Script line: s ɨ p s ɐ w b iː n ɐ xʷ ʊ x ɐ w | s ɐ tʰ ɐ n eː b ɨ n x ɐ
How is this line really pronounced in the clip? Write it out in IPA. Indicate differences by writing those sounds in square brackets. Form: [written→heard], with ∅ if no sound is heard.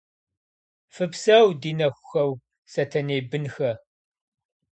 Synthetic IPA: [s→f] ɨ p s ɐ w [b→d] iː n ɐ xʷ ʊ x ɐ w | s ɐ tʰ ɐ n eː b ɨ n x ɐ